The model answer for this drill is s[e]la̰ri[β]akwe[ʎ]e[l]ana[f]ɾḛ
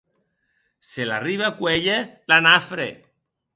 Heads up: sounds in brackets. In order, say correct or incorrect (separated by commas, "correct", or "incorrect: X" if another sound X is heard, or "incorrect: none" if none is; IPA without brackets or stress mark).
correct, correct, correct, correct, correct